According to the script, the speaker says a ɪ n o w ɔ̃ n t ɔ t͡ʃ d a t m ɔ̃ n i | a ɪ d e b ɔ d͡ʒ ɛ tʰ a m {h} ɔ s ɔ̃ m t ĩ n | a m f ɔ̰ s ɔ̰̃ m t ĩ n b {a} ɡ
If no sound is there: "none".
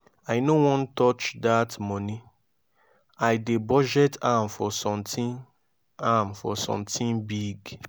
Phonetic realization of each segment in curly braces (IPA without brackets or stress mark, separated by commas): f, i